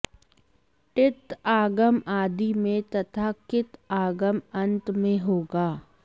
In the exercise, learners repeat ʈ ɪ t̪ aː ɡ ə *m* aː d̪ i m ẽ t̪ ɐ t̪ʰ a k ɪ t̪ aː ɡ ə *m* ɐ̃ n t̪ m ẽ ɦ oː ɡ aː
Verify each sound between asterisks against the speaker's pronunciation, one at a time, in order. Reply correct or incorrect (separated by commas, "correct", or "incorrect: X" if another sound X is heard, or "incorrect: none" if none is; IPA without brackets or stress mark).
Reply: correct, correct